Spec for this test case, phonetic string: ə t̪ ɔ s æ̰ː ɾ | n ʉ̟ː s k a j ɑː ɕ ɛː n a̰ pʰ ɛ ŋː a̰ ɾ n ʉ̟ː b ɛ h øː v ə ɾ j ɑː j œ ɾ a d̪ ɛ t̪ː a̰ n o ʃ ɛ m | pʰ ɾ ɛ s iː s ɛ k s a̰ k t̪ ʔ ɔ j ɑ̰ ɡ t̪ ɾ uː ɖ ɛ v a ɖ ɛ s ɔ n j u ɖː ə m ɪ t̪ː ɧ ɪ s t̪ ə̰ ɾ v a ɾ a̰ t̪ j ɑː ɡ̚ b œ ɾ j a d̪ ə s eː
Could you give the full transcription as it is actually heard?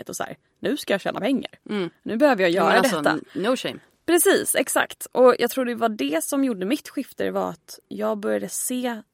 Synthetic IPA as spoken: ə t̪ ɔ s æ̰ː ɾ | n ʉ̟ː s k a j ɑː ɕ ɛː n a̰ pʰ ɛ ŋː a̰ ɾ n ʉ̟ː b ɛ h øː v ə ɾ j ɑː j œː ɾ a d̪ ɛ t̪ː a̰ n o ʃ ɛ m | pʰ ɾ ɛ s iː s ɛ k s a̰ k t̪ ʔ ɔ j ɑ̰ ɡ t̪ʰ ɾ uː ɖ ɛ v a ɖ ɛ s ɔ m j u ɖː ə m ɪ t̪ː ɧ ɪ f t̪ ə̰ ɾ v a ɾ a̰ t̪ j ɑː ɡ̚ b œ ɾ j a d̪ ə s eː